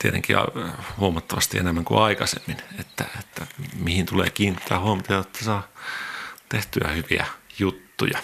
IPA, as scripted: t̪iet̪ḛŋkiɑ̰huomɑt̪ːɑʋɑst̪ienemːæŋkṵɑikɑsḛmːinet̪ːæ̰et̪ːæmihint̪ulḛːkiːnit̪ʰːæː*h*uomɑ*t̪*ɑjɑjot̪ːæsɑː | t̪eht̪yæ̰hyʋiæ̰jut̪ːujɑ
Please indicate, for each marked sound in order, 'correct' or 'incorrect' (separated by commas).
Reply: correct, correct